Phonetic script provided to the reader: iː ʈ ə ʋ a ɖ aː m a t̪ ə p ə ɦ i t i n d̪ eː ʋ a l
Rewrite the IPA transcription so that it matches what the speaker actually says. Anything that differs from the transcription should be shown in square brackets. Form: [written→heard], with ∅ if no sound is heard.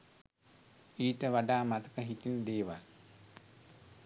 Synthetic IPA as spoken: iː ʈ ə ʋ a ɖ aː m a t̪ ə [p→k] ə ɦ i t i n d̪ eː ʋ a l